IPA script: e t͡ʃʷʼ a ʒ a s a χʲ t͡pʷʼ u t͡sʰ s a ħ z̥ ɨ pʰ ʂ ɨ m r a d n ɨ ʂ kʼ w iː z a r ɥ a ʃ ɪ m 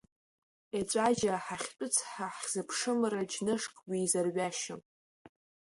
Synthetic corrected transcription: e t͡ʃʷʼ a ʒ a ħ a χʲ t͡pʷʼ ʊ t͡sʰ ħ a ħ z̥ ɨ pʰ ʂ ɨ m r a d͡ʒ n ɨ ʂ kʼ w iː z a r ɥ a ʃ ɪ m

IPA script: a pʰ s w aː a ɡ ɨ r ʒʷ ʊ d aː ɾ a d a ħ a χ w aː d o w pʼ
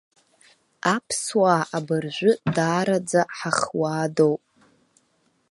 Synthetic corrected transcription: a pʰ s w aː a b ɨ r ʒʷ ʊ d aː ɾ a d͡z a ħ a χ w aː d o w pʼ

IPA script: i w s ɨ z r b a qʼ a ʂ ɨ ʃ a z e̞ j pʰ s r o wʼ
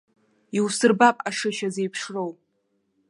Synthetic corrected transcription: i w s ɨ r b a pʼ a ʂ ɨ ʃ a z e̞ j pʰ ʂ r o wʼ

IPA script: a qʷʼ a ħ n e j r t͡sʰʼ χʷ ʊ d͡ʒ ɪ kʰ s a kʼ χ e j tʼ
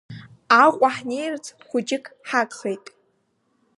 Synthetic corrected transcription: a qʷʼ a ħ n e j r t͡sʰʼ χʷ ʊ d͡ʒ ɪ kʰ ħ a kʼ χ e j tʼ

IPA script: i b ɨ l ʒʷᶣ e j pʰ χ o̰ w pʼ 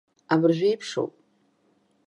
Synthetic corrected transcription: a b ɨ r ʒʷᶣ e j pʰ ʂ o̰ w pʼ

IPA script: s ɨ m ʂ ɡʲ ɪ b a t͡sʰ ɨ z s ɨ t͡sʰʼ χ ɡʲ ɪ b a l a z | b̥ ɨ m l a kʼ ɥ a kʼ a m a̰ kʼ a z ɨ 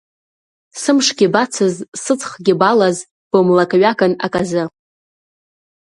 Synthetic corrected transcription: s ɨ m ʂ ɡʲ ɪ b a t͡sʰ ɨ z s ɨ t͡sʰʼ χ ɡʲ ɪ b a l a z | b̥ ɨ m l a kʼ ɥ a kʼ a n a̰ kʼ a z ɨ

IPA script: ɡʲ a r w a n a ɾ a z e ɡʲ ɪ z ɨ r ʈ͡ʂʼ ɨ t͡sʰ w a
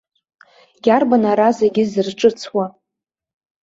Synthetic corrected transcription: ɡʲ a r b a n a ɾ a z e ɡʲ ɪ z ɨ r ʈ͡ʂʼ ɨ t͡sʰ w a

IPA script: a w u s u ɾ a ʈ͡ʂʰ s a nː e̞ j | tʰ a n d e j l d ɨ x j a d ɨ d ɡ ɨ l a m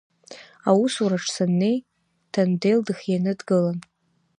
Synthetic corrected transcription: a w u s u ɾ a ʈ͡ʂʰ s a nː e̞ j | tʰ a n d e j l d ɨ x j a n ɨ d ɡ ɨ l a n

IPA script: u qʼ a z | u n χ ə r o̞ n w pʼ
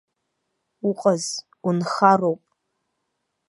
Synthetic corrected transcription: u qʼ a z | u n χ a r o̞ w pʼ

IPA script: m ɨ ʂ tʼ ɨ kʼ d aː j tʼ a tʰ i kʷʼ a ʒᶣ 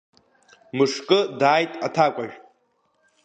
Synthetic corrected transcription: m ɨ ʂ kʼ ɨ d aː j tʼ a tʰ a kʷʼ a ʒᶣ

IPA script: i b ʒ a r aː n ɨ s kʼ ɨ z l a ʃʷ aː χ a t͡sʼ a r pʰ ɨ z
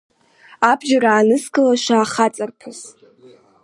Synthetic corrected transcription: a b ʒ a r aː n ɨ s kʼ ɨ l a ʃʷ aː χ a t͡sʼ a r pʰ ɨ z

